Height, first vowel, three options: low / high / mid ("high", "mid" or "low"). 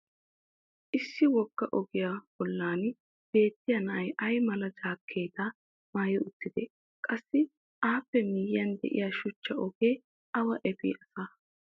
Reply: high